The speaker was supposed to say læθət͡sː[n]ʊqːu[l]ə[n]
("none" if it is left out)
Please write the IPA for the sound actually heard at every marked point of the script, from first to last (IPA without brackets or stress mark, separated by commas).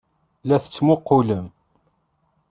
m, l, m